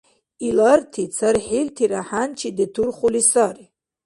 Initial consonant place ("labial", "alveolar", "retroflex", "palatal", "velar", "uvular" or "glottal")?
alveolar